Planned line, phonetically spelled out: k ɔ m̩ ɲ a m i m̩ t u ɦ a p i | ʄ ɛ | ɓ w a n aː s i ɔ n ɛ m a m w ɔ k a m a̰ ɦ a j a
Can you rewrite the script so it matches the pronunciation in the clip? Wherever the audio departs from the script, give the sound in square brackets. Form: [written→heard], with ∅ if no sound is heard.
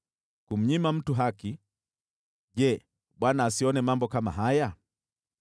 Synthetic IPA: k [ɔ→u] m̩ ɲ [a→i] m [i→a] m̩ t u ɦ a [p→k] i | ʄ ɛ | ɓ w a n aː s i ɔ n ɛ m a m [w→b] ɔ k a m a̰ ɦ a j a